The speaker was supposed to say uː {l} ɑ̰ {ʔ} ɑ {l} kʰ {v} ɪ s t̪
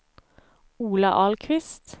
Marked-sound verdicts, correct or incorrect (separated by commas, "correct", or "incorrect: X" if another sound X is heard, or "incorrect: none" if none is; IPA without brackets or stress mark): correct, correct, correct, incorrect: ʋ